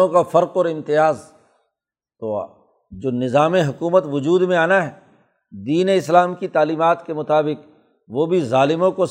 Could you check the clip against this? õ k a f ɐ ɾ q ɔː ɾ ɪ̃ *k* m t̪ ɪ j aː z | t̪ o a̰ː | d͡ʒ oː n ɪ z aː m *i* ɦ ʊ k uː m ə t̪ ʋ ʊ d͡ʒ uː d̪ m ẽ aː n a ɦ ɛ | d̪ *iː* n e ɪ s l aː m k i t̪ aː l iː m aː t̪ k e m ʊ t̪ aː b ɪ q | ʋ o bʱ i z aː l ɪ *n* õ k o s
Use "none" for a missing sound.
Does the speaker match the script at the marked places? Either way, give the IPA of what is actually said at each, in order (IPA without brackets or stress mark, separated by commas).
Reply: none, e, iː, m